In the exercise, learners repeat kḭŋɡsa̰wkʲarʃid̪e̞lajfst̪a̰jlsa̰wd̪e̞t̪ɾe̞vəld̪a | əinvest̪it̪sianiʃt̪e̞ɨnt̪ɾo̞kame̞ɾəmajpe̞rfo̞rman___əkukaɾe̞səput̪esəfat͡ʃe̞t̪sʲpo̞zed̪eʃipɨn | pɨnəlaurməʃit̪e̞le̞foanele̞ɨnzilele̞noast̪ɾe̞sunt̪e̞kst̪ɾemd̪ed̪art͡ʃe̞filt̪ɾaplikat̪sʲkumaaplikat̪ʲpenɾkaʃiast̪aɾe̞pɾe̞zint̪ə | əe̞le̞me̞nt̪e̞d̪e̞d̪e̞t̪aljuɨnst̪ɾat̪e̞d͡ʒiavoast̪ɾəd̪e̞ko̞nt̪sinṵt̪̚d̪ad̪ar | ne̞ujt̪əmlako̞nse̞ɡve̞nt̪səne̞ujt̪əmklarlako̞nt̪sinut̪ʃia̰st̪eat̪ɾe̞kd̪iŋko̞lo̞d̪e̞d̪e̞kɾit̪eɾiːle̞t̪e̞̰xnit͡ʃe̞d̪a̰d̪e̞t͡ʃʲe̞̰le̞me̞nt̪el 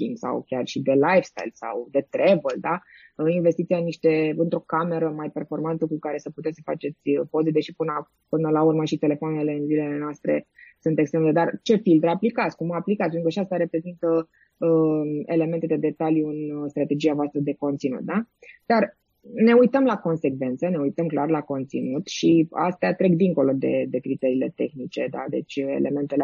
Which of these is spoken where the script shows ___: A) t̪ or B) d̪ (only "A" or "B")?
A